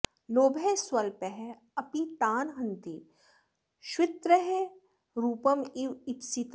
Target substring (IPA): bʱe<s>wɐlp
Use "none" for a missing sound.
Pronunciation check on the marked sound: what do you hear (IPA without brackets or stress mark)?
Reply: s